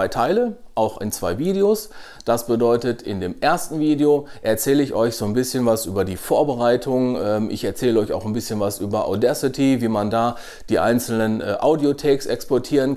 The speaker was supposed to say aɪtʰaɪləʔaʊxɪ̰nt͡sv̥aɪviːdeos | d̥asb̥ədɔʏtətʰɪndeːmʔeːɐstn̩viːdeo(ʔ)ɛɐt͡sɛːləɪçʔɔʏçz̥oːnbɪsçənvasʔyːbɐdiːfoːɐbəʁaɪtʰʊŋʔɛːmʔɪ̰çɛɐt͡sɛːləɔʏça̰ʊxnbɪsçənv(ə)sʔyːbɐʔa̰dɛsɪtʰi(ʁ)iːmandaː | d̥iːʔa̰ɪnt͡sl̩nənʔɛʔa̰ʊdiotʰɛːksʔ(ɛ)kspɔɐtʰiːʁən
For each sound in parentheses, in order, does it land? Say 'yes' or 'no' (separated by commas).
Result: yes, no, no, yes